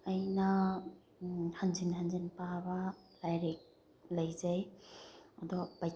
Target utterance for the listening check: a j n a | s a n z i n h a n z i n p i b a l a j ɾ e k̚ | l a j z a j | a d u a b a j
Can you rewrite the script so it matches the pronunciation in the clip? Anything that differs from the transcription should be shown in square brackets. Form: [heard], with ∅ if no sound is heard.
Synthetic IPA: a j n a | [h] a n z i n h a n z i n p [a] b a l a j ɾ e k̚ | l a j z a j | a d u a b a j